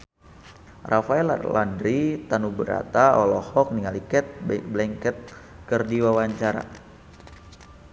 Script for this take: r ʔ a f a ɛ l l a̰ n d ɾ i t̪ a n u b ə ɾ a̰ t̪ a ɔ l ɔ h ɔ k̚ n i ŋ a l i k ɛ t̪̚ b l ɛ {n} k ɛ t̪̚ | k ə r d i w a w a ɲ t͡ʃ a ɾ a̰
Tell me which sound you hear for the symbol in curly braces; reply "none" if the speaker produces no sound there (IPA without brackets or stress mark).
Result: ŋ